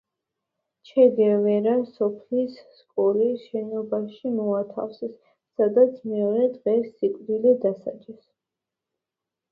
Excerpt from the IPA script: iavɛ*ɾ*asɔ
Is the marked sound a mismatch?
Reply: no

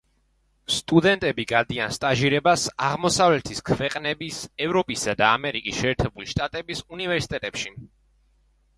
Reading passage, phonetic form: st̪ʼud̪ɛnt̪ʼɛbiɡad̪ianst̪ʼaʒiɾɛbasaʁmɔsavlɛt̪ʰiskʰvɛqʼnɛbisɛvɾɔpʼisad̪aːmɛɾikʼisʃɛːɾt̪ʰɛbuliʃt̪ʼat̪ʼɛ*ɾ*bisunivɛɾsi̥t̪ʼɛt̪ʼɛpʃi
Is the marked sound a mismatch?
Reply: yes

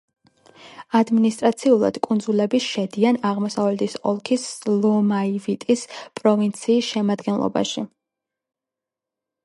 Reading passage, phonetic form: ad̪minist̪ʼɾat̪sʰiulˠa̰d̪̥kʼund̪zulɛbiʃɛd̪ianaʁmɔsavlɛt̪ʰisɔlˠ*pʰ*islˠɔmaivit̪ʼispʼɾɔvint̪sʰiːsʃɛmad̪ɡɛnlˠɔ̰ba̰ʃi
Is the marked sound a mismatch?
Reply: yes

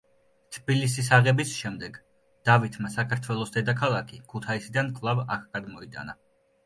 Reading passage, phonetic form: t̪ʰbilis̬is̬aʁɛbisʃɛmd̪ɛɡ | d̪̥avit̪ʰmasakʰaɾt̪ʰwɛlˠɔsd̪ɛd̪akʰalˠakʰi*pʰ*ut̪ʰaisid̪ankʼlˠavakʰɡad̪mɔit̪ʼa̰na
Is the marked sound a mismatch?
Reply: yes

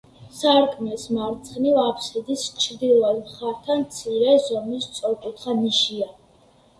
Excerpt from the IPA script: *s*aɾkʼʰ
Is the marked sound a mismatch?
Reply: no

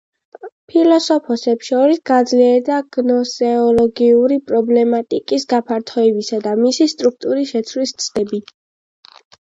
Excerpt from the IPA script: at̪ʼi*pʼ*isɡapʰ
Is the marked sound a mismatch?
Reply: yes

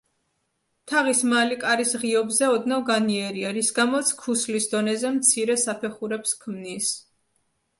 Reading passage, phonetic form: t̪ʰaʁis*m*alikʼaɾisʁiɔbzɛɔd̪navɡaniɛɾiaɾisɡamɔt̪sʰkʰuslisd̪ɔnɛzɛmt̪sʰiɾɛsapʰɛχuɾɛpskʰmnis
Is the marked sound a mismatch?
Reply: no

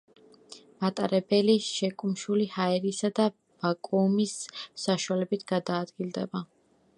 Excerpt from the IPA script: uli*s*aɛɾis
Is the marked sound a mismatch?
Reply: yes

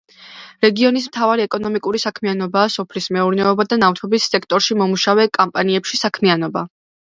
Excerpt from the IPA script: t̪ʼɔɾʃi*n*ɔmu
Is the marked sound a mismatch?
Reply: yes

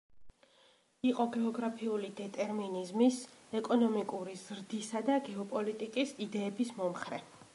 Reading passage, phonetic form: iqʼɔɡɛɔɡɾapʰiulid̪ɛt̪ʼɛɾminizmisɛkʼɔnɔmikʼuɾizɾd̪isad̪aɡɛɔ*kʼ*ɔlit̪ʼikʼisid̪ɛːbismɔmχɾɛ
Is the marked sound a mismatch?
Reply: yes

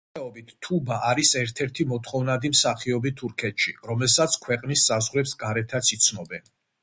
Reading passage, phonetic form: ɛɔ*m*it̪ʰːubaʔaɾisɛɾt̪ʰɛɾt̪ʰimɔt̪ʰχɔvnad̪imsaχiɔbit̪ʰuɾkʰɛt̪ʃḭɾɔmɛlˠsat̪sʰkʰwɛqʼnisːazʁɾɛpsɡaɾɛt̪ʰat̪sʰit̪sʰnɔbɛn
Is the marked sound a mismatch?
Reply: yes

